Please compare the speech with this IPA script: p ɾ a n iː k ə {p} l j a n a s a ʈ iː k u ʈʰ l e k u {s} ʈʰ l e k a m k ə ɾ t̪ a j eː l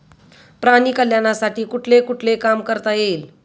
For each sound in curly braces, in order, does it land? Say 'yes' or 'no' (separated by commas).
no, no